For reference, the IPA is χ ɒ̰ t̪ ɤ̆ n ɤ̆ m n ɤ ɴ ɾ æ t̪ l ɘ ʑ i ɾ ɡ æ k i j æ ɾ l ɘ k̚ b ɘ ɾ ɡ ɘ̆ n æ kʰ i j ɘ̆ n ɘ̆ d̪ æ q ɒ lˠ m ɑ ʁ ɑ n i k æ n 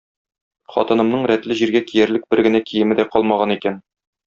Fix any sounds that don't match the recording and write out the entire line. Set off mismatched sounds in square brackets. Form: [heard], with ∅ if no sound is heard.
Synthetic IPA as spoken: χ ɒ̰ t̪ ɤ̆ n ɤ̆ m n ɤ ɴ ɾ æ t̪ l ɘ ʑ i ɾ ɡ æ k i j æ ɾ l ɘ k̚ b ɘ ɾ ɡ ɘ̆ n æ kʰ i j ɘ̆ [m] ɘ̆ d̪ æ q ɒ lˠ m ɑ ʁ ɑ n i k æ n